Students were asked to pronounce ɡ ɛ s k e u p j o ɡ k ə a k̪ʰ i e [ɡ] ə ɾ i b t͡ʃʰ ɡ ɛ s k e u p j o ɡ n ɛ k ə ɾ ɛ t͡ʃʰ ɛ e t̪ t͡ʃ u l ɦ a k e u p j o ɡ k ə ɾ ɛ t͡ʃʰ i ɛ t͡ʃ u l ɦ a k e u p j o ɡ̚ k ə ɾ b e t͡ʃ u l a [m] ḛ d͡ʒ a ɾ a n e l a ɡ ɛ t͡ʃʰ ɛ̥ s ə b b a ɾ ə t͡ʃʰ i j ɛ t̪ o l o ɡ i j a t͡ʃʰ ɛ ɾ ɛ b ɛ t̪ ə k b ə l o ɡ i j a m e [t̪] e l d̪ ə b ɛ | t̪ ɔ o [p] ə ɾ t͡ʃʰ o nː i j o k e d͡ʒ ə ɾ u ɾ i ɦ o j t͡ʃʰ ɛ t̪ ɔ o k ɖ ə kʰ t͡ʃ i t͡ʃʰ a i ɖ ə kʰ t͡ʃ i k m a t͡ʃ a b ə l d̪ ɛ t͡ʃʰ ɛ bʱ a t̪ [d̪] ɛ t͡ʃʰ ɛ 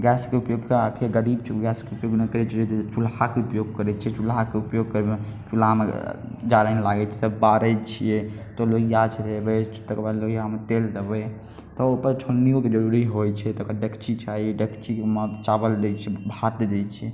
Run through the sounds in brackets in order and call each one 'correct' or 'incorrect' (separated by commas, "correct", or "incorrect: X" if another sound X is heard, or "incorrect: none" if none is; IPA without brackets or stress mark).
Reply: correct, correct, correct, correct, correct